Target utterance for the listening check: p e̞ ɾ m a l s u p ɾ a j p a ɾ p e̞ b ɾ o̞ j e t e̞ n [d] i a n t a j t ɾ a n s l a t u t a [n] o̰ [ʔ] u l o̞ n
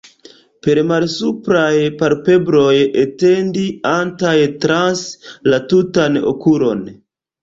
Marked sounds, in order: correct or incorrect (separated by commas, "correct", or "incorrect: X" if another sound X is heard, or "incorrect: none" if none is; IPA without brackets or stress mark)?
correct, correct, incorrect: k